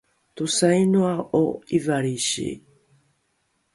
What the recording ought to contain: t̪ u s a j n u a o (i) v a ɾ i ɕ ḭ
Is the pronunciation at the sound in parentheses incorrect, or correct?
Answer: correct